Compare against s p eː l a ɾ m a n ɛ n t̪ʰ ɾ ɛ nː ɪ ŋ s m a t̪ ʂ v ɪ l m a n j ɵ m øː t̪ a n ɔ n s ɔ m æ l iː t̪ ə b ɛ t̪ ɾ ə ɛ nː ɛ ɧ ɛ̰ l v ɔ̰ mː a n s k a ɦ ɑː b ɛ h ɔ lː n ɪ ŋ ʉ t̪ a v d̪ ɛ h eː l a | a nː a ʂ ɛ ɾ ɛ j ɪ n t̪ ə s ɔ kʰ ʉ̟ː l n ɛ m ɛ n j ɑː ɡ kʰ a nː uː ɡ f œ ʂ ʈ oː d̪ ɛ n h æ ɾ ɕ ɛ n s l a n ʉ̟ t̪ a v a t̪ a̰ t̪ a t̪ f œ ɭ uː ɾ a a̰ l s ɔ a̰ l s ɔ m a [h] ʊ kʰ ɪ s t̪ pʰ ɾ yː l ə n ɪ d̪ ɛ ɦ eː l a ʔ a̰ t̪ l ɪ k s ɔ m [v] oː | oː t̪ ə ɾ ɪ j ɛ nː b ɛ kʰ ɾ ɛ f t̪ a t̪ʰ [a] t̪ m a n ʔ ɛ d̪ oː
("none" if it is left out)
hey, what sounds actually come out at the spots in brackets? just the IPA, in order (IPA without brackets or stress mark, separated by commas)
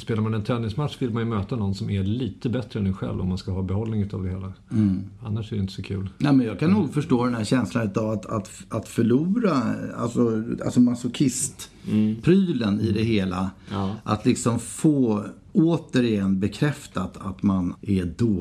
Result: s, f, a